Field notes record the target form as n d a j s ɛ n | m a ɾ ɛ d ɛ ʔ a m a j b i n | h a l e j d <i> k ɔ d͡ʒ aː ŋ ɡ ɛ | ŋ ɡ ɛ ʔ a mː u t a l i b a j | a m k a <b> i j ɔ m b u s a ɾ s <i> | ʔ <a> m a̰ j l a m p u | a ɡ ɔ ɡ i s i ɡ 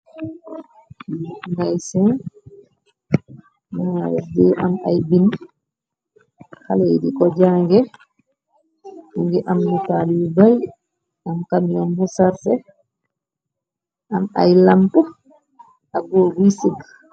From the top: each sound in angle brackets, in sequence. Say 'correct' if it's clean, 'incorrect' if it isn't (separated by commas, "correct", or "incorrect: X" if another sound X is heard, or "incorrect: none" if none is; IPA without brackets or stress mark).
correct, incorrect: m, incorrect: ɛ, correct